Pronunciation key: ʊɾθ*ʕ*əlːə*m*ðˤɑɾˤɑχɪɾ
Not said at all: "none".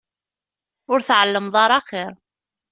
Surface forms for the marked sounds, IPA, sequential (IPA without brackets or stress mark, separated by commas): ʕ, m